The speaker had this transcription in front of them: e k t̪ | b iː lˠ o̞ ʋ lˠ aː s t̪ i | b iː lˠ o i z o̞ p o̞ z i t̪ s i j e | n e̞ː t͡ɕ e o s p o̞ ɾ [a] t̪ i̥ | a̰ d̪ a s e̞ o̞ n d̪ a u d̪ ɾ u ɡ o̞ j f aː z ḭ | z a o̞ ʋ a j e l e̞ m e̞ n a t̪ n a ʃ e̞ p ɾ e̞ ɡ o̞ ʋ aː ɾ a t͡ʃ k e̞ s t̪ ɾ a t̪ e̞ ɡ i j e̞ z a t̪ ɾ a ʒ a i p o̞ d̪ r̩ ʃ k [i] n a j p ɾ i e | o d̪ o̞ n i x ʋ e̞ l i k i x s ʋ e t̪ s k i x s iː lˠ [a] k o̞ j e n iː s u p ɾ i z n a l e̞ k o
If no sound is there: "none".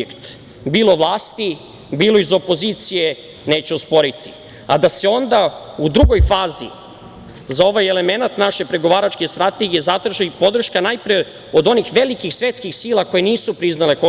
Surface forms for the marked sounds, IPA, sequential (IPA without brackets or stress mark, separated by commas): i, a, a